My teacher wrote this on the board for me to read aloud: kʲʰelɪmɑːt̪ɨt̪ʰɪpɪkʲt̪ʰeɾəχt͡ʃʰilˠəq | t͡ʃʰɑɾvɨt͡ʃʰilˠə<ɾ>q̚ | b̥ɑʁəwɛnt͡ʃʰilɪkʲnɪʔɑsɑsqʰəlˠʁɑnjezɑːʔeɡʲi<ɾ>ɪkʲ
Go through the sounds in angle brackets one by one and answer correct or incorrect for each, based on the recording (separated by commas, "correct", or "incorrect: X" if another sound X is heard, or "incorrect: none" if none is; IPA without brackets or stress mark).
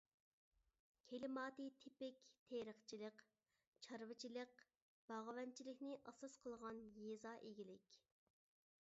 incorrect: none, incorrect: l